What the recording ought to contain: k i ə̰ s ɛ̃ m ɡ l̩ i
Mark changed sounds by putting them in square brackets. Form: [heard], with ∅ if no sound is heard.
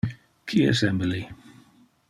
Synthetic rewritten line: [kʰ] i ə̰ s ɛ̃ m [b] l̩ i

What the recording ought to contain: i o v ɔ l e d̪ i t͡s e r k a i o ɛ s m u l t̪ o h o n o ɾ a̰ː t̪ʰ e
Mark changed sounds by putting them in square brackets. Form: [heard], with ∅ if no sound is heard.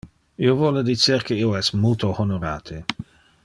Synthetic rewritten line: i o v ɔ l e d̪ i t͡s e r k [e] i o ɛ s m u l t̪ o h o n o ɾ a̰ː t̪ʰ e

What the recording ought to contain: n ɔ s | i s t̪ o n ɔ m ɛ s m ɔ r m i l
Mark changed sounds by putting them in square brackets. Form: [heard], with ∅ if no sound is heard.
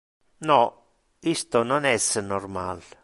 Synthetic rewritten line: n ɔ [∅] | i s t̪ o n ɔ [n] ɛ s [n] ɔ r m [a] l

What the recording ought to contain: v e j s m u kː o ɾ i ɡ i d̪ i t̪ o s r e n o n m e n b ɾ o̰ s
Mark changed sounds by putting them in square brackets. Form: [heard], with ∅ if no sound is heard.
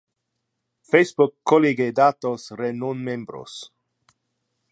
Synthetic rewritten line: [f] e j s [b] u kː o [l] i ɡ [e] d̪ [a] t̪ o s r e n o n m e [m] b ɾ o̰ s

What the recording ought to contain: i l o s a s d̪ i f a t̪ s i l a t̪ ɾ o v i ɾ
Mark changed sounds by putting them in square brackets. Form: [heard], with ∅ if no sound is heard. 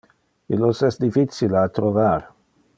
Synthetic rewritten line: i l o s [ɛ] s d̪ i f [i] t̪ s i l a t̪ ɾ o v [a] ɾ

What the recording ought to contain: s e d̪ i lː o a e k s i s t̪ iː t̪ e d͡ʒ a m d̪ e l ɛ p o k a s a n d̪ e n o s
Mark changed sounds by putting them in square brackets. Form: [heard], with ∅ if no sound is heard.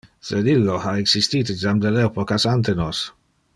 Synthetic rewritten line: s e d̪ i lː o a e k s i s t̪ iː t̪ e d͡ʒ a m d̪ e l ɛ p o k a s a n [t̪] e n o s

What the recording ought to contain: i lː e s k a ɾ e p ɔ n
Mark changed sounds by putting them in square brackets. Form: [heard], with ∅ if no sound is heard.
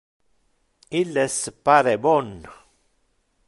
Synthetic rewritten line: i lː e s [p] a ɾ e [b] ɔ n

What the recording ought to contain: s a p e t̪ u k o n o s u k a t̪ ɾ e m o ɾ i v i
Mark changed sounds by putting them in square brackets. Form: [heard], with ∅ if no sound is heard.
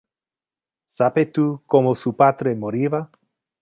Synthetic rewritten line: s a p e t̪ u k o [m] o s u [p] a t̪ ɾ e m o ɾ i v [a]

